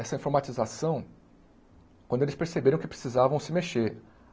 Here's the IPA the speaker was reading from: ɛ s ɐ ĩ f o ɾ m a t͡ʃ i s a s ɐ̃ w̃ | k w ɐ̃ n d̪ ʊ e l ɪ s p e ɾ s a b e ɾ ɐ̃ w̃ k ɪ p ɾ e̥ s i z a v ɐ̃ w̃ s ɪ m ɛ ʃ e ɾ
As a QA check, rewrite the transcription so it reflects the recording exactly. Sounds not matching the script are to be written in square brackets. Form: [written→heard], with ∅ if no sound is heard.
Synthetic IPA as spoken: ɛ s ɐ ĩ f o ɾ m a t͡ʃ i [s→z] a s ɐ̃ w̃ | k w ɐ̃ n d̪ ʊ e l ɪ s p e ɾ s [a→e] b e ɾ ɐ̃ w̃ k ɪ p ɾ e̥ s i z a v ɐ̃ w̃ s ɪ m [ɛ→e] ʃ e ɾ